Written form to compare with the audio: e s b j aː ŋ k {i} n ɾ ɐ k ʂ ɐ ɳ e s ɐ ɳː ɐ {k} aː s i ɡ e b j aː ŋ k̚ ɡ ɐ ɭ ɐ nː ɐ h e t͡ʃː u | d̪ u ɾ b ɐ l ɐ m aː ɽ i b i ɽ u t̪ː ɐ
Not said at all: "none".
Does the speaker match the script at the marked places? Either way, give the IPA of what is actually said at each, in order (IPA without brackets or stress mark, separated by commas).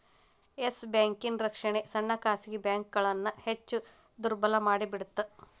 i, k